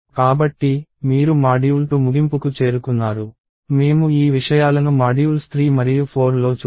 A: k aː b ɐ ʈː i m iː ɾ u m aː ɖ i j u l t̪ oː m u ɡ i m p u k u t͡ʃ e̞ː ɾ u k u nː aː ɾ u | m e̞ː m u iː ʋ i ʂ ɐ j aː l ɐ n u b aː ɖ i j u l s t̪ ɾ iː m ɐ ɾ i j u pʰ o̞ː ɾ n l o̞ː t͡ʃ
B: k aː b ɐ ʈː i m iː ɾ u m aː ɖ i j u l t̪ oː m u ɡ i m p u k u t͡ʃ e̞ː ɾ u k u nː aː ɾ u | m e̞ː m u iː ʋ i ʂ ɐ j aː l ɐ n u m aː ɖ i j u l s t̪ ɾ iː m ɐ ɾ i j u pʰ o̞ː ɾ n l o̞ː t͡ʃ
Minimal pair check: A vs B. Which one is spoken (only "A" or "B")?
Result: B